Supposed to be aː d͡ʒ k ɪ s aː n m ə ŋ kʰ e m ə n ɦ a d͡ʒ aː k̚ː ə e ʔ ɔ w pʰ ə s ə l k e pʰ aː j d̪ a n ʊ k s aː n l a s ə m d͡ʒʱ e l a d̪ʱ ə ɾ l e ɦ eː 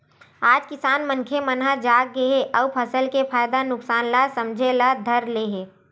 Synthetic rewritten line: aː d͡ʒ k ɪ s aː n m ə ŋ kʰ e m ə n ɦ a d͡ʒ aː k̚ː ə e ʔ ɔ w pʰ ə s ə l k e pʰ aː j d̪ a n ʊ k s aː n l a s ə m d͡ʒʱ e l a d̪ʱ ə ɾ l e ɦ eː